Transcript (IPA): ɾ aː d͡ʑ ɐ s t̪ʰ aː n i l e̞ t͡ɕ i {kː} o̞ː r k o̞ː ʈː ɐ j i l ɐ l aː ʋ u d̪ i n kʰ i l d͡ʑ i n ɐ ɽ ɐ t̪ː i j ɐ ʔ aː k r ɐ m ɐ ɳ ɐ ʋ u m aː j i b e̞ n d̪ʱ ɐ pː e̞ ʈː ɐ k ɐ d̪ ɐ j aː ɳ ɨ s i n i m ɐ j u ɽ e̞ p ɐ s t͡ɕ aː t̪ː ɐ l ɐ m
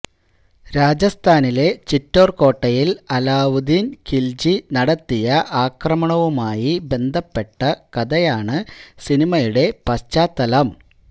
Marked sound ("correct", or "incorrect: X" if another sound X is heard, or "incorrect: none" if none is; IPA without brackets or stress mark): incorrect: tː